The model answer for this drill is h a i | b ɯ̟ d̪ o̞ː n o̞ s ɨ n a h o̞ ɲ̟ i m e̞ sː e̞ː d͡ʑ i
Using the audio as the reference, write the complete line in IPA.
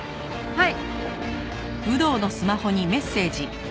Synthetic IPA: h a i | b ɯ̟ d̪ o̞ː n o̞ s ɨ m a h o̞ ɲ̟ i m e̞ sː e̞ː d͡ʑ i